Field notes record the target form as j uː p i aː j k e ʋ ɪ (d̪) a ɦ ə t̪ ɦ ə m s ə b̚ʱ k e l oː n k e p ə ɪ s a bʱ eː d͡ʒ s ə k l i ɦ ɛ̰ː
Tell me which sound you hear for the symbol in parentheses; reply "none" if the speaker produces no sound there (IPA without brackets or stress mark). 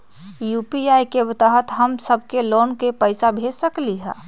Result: t̪